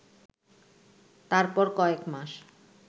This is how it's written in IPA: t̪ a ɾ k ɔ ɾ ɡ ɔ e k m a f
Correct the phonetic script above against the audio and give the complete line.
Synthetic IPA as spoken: t̪ a ɾ p ɔ ɾ k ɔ e k m a ʃ